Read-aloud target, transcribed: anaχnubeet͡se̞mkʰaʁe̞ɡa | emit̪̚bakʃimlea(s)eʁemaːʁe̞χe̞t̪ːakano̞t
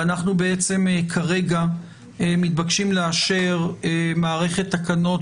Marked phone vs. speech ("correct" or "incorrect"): incorrect